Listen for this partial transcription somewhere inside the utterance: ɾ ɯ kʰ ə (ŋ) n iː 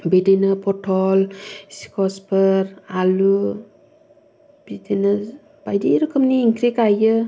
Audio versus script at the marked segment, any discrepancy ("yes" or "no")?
yes